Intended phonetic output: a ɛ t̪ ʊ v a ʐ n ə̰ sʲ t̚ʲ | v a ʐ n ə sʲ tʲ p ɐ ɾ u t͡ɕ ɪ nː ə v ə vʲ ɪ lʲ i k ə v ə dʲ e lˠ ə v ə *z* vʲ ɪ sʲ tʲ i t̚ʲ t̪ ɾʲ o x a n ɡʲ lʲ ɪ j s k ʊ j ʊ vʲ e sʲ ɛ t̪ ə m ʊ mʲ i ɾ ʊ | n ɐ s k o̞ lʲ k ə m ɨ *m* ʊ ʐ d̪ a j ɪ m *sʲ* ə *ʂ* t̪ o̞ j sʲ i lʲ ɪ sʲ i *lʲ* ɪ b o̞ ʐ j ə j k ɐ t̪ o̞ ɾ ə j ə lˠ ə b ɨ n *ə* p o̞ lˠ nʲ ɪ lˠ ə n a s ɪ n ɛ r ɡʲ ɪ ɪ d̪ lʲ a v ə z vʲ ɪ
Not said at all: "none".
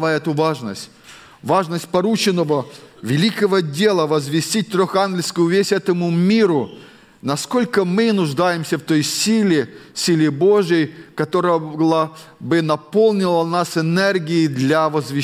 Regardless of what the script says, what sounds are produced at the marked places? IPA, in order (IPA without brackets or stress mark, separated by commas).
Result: z, n, sʲ, f, lʲ, ɐ